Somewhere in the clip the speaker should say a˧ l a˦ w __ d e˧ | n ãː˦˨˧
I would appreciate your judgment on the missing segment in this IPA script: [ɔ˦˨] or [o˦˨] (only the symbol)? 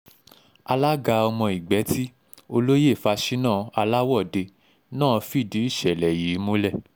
ɔ˦˨